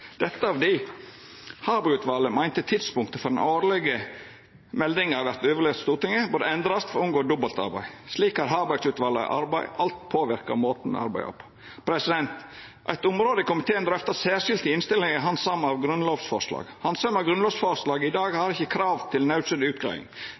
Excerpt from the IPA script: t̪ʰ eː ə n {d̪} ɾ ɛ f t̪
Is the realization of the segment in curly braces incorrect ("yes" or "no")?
no